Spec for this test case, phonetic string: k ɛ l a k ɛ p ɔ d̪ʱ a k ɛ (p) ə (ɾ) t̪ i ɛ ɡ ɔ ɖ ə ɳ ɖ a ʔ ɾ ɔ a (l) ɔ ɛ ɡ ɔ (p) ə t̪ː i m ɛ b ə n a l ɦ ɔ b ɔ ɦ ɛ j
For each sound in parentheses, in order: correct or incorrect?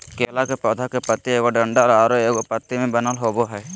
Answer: correct, incorrect, incorrect, correct

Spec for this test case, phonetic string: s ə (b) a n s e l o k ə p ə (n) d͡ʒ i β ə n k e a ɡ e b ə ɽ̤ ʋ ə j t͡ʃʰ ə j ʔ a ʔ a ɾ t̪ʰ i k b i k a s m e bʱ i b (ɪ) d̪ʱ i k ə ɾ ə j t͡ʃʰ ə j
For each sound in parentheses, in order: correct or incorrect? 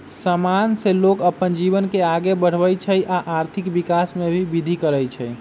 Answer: incorrect, correct, incorrect

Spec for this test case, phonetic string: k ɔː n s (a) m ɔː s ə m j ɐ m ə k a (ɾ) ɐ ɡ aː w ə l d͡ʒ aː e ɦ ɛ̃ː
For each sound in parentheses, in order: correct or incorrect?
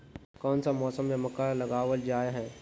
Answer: correct, incorrect

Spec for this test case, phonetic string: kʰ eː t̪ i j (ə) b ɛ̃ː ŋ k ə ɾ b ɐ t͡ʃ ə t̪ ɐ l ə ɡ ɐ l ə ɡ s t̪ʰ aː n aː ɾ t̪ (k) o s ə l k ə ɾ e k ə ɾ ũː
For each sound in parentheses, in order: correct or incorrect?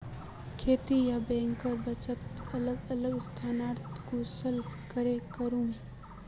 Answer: incorrect, correct

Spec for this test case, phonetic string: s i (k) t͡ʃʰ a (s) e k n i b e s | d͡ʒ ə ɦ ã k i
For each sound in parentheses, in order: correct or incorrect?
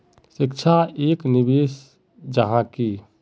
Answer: correct, incorrect

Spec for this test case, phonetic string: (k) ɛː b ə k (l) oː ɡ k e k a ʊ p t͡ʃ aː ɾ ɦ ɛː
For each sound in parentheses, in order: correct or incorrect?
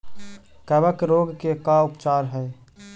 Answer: correct, incorrect

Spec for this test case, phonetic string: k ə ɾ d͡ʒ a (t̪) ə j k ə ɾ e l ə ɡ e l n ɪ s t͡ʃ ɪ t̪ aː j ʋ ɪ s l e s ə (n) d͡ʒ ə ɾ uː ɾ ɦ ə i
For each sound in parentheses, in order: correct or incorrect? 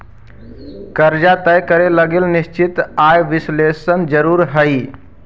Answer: correct, correct

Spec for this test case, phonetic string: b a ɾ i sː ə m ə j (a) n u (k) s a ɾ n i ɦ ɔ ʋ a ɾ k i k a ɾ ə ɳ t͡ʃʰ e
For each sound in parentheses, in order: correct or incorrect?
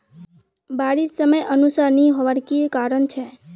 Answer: incorrect, incorrect

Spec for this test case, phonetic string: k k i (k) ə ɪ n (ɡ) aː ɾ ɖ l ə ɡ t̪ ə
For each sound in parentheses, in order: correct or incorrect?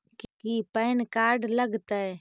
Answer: incorrect, incorrect

